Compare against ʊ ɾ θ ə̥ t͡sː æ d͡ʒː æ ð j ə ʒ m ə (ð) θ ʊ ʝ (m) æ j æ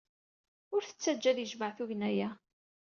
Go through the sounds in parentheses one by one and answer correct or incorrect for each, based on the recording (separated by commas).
incorrect, incorrect